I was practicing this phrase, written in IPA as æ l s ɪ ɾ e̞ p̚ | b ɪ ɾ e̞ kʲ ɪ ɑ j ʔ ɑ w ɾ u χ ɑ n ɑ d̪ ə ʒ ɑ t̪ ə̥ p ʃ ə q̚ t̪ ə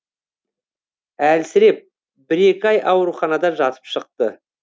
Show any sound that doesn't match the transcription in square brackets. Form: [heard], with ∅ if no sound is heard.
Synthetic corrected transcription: æ l s ɪ ɾ e̞ p̚ | b ɪ ɾ e̞ kʲ ɪ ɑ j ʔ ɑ w ɾ u χ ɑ n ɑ d̪ [ɑ] ʒ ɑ t̪ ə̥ p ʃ ə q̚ t̪ ə